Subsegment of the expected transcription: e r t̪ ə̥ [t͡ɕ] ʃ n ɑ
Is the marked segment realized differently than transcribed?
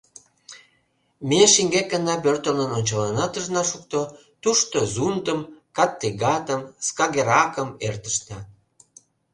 yes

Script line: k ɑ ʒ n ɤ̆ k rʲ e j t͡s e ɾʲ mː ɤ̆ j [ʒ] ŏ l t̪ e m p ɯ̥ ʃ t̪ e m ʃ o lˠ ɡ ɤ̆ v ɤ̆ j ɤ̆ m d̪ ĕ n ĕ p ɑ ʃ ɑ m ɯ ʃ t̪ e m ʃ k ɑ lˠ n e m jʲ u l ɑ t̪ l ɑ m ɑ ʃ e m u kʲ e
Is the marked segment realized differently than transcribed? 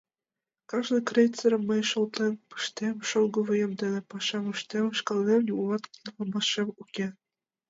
yes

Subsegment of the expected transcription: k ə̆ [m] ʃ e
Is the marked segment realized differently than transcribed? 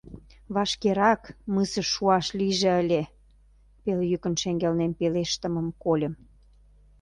yes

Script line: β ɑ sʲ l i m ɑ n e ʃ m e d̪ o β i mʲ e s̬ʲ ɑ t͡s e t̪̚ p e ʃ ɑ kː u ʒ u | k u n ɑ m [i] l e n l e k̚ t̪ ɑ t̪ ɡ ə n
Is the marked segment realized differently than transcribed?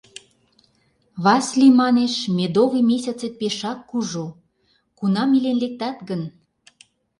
no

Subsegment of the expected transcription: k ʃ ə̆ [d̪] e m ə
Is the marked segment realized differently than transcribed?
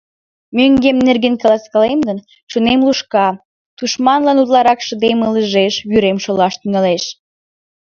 no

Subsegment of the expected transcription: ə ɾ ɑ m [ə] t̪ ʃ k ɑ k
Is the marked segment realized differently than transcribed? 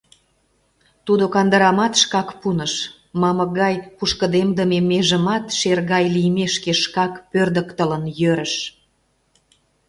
yes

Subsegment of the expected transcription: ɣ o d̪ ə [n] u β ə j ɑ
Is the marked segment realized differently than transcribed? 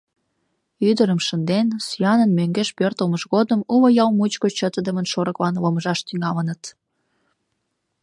yes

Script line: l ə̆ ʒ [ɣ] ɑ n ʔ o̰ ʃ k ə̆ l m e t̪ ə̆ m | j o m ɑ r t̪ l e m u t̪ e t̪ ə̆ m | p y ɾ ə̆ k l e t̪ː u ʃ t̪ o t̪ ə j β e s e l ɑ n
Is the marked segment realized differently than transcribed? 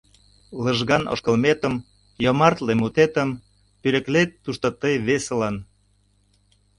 no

